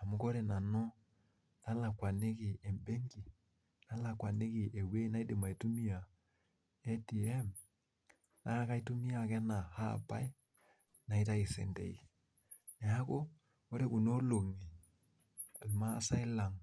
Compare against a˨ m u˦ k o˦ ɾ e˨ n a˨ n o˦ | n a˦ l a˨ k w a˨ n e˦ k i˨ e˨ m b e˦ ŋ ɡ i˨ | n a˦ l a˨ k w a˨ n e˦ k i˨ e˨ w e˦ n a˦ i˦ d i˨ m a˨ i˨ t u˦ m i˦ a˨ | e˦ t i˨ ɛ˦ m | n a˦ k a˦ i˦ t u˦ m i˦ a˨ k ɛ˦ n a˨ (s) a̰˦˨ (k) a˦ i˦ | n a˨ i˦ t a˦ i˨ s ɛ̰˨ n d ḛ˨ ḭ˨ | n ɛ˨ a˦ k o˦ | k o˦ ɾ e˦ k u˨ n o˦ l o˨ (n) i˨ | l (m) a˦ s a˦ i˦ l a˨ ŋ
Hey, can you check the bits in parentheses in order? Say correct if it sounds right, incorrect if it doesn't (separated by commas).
incorrect, incorrect, incorrect, correct